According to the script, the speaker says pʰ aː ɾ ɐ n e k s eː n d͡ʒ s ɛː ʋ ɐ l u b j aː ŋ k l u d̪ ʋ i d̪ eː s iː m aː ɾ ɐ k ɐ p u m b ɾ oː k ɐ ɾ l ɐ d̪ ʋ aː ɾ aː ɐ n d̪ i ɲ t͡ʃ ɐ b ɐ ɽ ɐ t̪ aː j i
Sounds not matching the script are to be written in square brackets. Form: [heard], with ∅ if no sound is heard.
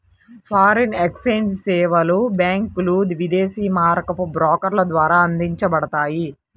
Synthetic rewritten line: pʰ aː ɾ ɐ n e k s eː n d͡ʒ s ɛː ʋ ɐ l u b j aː ŋ k l u d̪ ʋ i d̪ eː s iː m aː ɾ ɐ k ɐ p u [∅] b ɾ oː k ɐ ɾ l ɐ d̪ ʋ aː ɾ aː ɐ n d̪ i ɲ t͡ʃ ɐ b ɐ ɽ ɐ t̪ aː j i